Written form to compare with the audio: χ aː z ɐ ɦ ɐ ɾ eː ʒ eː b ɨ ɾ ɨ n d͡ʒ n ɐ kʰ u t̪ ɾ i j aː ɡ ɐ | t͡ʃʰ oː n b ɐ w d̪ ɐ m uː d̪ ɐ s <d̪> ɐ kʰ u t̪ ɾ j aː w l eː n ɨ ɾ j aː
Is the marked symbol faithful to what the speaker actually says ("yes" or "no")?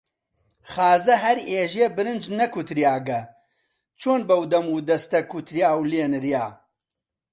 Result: no